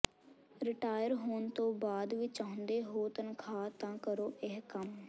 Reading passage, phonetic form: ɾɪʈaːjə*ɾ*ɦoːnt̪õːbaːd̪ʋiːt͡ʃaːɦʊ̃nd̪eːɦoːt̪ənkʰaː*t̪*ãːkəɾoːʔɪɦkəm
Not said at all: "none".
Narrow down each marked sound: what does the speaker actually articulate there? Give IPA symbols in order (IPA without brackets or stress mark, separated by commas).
ɾ, t̪